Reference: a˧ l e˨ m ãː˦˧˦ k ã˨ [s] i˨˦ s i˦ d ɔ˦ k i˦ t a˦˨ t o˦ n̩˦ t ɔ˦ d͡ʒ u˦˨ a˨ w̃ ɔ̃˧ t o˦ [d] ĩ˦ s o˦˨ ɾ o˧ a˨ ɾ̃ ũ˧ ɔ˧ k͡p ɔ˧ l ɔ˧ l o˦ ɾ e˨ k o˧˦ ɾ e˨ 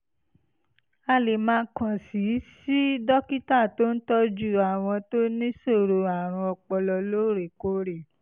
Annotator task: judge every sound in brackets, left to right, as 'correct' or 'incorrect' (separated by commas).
correct, incorrect